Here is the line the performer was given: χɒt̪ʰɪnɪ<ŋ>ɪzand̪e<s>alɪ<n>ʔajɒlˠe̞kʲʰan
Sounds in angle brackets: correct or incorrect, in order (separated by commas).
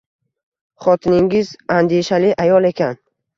correct, incorrect, incorrect